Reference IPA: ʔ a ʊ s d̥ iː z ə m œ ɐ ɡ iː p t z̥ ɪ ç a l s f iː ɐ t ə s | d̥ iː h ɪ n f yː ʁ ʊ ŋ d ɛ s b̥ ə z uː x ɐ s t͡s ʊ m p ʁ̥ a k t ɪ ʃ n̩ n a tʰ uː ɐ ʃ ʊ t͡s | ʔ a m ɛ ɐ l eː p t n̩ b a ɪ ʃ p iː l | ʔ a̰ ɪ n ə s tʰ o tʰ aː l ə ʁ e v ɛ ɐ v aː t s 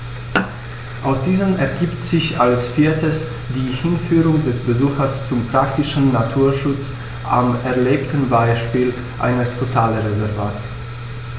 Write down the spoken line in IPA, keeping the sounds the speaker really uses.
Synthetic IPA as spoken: ʔ a ʊ s d̥ iː z ə m ɛ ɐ ɡ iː p t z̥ ɪ ç a l s f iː ɐ t ə s | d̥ iː h ɪ n f yː ʁ ʊ ŋ d ɛ s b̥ ə z uː x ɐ s t͡s ʊ m p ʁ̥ a k t ɪ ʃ n̩ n a tʰ uː ɐ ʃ ʊ t͡s | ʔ a m ɛ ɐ l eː p t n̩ b a ɪ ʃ p iː l | ʔ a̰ ɪ n ə s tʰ o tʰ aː l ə ʁ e z ɛ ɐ v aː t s

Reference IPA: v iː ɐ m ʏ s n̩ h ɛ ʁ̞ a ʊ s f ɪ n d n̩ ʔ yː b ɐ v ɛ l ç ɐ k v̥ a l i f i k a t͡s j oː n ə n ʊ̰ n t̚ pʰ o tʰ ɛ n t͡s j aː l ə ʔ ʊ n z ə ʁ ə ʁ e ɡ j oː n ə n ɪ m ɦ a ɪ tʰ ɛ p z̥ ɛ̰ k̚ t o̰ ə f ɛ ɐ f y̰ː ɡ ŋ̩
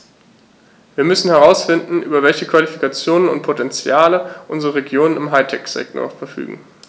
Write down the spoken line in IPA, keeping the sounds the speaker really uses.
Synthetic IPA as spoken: v iː ɐ m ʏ s n̩ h ɛ ʁ̞ a ʊ s f ɪ n d n̩ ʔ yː b ɐ v ɛ l ç ə k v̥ a l i f i k a t͡s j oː n ə n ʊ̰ n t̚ pʰ o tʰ ɛ n t͡s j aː l ə ʔ ʊ n z ə ʁ ə ʁ e ɡ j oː n ə n ɪ m ɦ a ɪ tʰ ɛ k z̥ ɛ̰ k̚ t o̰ ɐ f ɛ ɐ f y̰ː ɡ ŋ̩

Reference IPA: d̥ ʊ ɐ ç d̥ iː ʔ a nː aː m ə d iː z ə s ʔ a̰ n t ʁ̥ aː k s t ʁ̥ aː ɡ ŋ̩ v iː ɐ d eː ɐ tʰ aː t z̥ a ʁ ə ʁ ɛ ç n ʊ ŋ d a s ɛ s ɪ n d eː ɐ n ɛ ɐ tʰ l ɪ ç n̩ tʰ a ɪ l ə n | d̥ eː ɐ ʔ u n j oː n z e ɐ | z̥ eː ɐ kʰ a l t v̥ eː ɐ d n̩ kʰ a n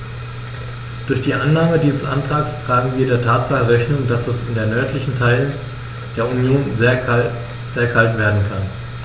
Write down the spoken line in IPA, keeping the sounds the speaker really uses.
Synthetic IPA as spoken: d̥ ʊ ɐ ç d̥ iː ʔ a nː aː m ə d iː z ə s ʔ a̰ n t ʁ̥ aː k s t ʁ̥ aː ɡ ŋ̩ v iː ɐ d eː ɐ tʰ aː t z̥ a χ ə ʁ ɛ ç n ʊ ŋ d a s ɛ s ɪ n d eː ɐ n œ ɐ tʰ l ɪ ç n̩ tʰ a ɪ l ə n | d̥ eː ɐ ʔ u n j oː n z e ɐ | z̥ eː ɐ kʰ a l t v̥ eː ɐ d n̩ kʰ a n

